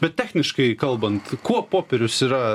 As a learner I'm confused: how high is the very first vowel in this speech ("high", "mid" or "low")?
mid